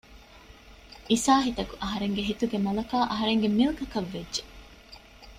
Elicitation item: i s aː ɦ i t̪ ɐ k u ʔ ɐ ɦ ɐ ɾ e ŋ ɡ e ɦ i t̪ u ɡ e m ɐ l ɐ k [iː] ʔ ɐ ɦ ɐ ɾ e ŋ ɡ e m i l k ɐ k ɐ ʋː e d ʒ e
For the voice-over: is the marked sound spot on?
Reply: no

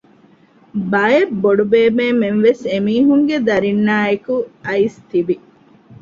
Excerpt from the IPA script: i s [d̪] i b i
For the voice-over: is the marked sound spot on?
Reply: no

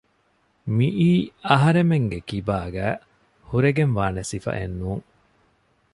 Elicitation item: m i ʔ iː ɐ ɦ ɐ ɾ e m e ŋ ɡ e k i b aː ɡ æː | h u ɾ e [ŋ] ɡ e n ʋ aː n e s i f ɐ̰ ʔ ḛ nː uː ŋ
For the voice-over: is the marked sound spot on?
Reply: no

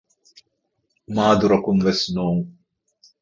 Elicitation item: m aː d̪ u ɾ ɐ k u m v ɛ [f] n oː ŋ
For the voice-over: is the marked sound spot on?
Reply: no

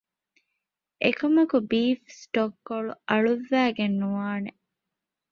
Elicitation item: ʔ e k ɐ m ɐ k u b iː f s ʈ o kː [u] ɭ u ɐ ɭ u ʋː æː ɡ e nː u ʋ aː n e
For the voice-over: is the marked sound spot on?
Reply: no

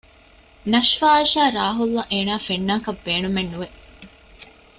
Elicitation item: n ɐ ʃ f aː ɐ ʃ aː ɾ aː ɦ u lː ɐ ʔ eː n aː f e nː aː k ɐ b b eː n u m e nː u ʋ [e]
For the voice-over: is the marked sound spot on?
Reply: yes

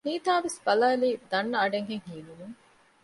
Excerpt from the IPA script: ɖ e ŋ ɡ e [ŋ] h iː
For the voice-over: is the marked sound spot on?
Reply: yes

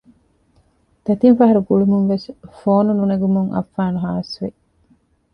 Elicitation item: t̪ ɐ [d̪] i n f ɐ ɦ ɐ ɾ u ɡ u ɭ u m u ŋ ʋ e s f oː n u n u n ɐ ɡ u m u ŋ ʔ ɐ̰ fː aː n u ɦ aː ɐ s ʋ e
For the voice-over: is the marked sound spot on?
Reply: no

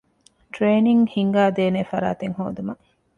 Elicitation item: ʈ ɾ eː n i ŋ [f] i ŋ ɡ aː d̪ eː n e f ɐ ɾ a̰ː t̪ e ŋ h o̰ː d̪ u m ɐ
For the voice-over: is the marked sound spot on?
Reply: no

